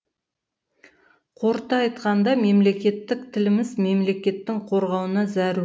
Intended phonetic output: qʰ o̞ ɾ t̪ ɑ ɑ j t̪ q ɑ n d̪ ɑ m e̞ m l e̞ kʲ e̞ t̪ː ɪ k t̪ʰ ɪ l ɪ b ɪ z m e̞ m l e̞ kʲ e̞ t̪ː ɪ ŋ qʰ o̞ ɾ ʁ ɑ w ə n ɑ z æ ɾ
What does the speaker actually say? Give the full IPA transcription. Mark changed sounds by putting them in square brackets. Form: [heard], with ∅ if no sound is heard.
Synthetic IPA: qʰ o̞ ɾ t̪ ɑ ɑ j t̪ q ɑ n d̪ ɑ m e̞ m l e̞ kʲ e̞ t̪ː ɪ k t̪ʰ ɪ l ɪ [m] ɪ z m e̞ m l e̞ kʲ e̞ t̪ː ɪ ŋ qʰ o̞ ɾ ʁ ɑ w ə n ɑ z æ ɾ